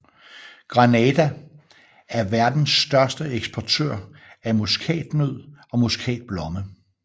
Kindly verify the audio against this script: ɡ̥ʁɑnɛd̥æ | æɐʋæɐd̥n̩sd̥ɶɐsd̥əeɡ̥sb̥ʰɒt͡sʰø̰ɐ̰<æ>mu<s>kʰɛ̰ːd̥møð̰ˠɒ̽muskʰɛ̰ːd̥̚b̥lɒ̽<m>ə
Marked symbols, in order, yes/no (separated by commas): yes, yes, yes